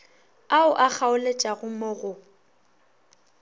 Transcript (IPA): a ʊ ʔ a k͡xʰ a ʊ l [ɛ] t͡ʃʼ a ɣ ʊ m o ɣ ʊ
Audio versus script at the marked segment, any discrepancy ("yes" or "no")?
yes